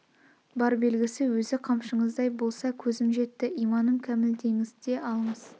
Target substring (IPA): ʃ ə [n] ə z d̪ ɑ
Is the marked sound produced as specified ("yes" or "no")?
no